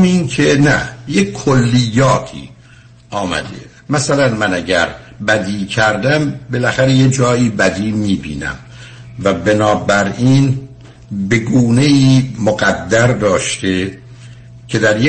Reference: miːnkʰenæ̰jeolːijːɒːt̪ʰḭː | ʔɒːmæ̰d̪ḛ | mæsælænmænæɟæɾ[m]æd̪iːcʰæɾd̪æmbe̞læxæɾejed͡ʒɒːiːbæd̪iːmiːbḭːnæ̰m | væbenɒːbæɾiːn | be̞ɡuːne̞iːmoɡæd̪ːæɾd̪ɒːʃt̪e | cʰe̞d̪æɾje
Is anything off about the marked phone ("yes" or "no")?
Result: yes